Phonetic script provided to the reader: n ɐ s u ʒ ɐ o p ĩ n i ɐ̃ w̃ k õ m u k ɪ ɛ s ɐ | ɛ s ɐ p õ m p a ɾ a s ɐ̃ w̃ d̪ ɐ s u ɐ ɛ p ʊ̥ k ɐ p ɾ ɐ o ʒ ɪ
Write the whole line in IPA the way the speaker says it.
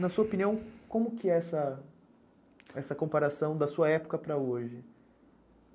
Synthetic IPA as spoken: n ɐ s u ɐ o p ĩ n i ɐ̃ w̃ k õ m ʊ k ɪ ɛ s ɐ | ɛ s ɐ k õ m p a ɾ a s ɐ̃ w̃ d̪ ɐ s u ɐ ɛ p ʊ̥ k ɐ p ɾ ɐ o ʒ ɪ